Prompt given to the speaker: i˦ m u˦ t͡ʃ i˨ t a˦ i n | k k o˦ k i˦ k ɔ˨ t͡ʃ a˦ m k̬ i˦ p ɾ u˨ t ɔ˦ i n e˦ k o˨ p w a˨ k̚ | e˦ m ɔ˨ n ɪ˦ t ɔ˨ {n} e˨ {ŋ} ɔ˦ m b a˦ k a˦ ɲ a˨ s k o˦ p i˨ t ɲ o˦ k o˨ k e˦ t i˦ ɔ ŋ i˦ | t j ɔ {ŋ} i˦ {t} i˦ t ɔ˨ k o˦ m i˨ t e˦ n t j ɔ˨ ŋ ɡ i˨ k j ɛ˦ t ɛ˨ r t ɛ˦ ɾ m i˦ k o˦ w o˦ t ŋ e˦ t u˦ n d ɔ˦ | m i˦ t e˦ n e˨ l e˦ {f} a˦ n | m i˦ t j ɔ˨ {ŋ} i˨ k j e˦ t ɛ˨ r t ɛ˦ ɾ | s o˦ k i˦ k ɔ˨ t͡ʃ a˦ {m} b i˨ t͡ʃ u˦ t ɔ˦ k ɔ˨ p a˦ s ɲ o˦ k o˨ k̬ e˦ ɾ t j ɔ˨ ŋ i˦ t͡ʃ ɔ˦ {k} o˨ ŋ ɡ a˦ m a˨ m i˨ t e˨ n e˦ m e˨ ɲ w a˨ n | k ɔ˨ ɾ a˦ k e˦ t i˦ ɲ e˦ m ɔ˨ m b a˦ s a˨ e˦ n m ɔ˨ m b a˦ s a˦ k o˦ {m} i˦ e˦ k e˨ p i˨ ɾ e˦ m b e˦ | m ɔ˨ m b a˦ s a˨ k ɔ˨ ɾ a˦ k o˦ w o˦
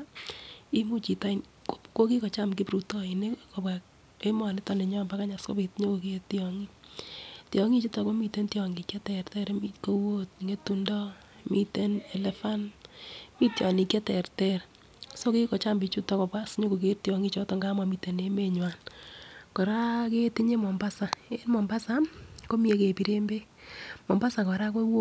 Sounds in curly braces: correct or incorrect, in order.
correct, incorrect: ɲ, correct, incorrect: t͡ʃ, correct, incorrect: n, correct, incorrect: t, correct

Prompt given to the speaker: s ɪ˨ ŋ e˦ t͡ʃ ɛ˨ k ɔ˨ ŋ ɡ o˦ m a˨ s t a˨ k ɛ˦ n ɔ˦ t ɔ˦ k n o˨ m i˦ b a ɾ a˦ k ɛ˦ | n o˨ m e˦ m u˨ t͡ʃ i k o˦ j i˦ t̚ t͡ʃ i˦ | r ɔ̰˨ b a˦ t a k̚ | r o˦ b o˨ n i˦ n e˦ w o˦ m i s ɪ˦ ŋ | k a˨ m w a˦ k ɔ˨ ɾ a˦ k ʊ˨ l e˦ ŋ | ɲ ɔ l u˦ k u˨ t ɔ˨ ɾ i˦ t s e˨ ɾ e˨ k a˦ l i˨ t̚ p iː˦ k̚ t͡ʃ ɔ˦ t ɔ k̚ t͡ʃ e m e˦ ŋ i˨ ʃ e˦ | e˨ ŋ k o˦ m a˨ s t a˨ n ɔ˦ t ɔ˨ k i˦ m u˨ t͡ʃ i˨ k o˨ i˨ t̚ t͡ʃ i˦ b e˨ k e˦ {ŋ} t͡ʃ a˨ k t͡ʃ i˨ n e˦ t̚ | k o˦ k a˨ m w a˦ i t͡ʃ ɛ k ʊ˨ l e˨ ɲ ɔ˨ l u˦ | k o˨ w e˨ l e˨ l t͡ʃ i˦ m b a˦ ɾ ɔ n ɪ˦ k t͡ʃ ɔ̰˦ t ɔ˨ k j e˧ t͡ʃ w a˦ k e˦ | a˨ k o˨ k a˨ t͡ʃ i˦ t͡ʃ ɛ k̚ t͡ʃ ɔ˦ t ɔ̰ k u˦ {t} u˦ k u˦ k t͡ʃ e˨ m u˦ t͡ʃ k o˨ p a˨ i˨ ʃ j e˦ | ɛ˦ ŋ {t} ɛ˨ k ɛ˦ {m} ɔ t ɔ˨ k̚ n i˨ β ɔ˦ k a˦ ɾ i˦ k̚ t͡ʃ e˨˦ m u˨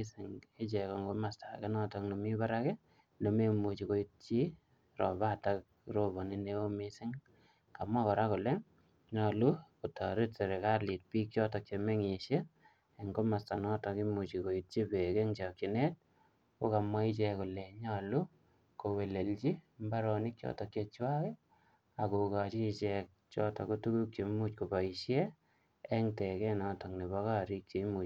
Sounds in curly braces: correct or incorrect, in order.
correct, correct, correct, incorrect: n

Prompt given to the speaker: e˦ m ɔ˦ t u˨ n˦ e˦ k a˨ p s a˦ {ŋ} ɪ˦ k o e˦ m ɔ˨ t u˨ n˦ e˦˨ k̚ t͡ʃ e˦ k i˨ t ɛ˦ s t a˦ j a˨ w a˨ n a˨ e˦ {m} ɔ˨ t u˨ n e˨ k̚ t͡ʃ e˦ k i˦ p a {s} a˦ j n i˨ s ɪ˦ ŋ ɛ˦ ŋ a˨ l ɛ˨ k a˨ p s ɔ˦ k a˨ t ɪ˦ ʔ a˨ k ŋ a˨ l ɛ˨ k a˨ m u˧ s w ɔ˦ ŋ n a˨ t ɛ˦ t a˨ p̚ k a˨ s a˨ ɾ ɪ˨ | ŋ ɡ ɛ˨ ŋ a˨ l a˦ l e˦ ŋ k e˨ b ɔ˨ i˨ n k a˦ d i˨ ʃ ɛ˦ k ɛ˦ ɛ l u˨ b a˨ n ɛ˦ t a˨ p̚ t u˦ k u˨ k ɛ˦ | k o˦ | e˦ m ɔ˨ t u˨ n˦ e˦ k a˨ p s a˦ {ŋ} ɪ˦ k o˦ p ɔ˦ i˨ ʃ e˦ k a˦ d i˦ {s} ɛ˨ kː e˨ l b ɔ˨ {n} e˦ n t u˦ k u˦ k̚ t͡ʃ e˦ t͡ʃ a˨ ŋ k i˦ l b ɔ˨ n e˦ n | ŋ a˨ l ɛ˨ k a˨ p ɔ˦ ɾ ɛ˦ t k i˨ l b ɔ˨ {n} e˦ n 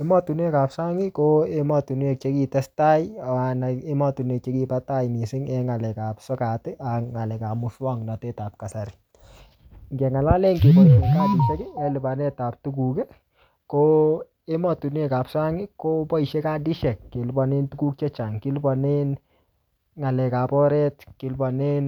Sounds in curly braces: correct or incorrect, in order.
correct, correct, incorrect: t, correct, incorrect: ʃ, correct, correct

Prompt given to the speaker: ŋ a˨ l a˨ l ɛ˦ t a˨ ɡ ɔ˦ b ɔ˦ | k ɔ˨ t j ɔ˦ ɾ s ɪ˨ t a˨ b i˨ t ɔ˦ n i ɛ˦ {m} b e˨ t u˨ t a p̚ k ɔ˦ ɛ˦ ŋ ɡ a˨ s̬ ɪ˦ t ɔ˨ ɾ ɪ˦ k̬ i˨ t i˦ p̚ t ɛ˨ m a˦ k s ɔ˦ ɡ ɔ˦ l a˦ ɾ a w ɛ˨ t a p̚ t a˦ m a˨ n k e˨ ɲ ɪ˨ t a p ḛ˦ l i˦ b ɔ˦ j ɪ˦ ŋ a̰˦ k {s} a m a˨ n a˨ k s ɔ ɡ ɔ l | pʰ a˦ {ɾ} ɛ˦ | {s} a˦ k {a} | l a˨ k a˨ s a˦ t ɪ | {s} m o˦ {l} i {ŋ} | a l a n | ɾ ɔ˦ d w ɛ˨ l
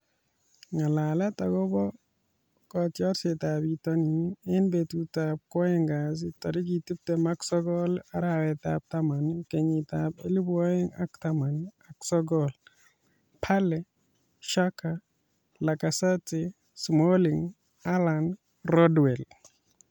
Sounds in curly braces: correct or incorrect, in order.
incorrect: n, incorrect: t, incorrect: l, incorrect: ʃ, correct, correct, correct, correct

